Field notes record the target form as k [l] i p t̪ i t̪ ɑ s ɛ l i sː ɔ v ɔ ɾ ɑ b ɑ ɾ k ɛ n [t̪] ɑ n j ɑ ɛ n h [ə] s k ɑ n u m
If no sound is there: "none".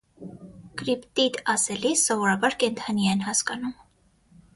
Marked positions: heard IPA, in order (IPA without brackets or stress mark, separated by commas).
ɾ, t̪ʰ, ɑ